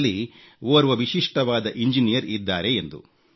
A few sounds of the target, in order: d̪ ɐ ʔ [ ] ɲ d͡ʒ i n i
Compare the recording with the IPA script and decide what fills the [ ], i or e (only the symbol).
i